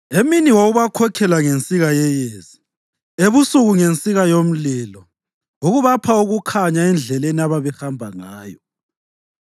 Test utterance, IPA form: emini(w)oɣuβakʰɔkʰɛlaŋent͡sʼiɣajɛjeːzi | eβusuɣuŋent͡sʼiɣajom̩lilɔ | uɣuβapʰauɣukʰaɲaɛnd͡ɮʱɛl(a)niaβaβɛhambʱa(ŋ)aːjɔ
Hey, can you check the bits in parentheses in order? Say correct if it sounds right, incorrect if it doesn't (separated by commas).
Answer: correct, incorrect, correct